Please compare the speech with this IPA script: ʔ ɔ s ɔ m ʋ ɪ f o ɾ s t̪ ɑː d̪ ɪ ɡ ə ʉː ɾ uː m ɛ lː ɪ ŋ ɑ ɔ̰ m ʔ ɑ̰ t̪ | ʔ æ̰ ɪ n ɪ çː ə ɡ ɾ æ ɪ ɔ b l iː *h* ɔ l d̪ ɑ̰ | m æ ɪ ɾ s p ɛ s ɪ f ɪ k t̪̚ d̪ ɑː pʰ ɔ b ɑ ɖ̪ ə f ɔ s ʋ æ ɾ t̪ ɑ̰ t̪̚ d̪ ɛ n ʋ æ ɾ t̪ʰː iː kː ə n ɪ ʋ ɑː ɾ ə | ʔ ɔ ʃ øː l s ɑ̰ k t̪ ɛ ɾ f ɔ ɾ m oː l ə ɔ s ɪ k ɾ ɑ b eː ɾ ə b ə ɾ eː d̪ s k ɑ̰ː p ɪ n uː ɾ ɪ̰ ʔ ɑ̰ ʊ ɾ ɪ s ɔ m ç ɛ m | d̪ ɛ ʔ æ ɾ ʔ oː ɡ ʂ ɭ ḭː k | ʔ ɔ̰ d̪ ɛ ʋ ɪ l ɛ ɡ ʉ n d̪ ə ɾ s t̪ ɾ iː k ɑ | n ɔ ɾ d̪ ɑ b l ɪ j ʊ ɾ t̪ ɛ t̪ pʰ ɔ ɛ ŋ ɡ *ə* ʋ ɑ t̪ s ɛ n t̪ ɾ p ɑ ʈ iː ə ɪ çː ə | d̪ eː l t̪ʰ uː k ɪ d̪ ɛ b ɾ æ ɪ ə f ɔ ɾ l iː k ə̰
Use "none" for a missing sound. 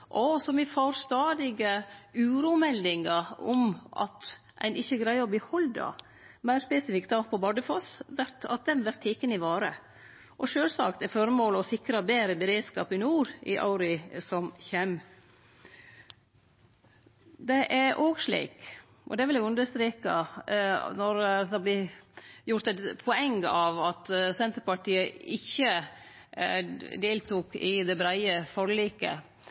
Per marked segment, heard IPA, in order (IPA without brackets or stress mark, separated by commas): h, ɑ